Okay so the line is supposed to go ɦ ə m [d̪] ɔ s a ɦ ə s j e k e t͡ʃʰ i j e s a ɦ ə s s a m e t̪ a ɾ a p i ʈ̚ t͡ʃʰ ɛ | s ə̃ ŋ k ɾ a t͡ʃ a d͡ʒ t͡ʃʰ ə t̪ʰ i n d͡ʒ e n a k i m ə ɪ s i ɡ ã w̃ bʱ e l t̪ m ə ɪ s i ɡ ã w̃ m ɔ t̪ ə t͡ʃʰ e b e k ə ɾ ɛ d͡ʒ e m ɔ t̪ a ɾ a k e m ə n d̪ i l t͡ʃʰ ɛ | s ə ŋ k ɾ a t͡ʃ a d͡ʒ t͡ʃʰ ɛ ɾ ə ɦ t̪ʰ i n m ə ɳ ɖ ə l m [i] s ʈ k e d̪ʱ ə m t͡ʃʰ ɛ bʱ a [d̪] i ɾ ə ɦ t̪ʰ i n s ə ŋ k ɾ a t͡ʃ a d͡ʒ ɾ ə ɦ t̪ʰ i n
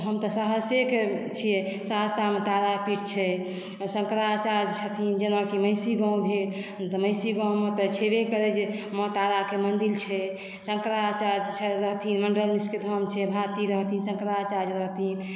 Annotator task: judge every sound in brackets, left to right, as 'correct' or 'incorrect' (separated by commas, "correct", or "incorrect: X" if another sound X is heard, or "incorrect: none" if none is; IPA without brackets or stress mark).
incorrect: t̪, correct, incorrect: t̪